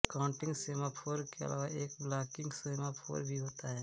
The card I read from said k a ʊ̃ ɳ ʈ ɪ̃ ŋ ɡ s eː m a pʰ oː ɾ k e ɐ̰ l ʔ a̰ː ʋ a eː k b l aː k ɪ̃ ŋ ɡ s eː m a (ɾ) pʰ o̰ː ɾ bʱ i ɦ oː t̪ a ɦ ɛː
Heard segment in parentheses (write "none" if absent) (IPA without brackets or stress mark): none